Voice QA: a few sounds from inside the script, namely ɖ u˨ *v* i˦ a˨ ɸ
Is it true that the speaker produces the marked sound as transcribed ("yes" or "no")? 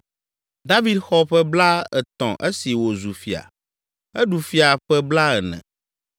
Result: no